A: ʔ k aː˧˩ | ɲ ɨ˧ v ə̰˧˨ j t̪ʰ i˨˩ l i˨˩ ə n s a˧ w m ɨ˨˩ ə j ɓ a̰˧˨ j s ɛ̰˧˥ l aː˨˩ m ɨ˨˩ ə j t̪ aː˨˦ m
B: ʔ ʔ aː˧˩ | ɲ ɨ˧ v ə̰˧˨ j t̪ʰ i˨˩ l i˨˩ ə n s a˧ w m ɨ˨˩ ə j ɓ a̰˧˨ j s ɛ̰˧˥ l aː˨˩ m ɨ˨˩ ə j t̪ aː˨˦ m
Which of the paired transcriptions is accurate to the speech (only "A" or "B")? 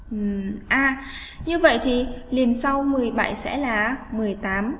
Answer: B